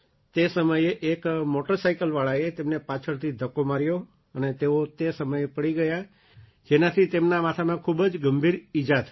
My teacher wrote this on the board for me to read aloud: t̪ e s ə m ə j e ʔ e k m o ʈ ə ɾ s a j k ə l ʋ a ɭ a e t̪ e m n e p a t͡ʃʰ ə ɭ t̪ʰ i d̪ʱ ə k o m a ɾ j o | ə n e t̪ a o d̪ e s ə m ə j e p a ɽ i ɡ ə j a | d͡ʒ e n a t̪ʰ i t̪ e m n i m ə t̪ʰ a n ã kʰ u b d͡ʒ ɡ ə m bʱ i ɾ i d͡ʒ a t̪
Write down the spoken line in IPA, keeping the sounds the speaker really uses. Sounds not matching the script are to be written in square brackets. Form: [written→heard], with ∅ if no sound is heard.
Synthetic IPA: t̪ e s ə m ə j e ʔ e k m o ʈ ə ɾ s a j k ə l ʋ a ɭ a e t̪ e m n e p a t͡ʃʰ ə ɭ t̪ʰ i d̪ʱ ə k o m a ɾ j o | ə n e t̪ [a→e] o [d̪→t̪] e s ə m ə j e p [a→ə] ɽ i ɡ ə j a | d͡ʒ e n a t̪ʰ i t̪ e m n [i→a] m [ə→a] t̪ʰ a [n→m] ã kʰ u b d͡ʒ ɡ ə m bʱ i ɾ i d͡ʒ a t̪